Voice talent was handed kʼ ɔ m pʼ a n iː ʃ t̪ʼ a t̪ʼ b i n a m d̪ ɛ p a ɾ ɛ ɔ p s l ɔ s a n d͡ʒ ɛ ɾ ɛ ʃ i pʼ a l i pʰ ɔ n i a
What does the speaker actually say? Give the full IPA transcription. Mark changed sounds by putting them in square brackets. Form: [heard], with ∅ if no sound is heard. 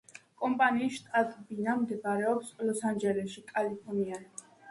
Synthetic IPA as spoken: kʼ ɔ m pʼ a n iː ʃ t̪ʼ a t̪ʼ b i n a m d̪ ɛ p a ɾ ɛ ɔ p s l ɔ s a n d͡ʒ ɛ [l] ɛ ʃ i [kʼ] a l i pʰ ɔ n i a